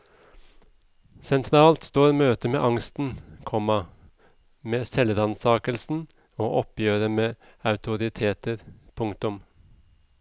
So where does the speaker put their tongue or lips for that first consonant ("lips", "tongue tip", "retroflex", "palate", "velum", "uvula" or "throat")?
tongue tip